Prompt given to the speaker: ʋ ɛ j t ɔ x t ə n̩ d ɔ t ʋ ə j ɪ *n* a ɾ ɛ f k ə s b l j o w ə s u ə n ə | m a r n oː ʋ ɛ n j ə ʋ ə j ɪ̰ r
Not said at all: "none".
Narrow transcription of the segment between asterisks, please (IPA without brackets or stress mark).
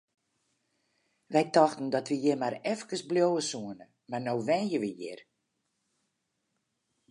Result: m